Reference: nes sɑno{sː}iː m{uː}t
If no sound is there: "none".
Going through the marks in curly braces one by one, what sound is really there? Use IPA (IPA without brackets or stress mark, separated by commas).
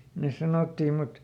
tː, u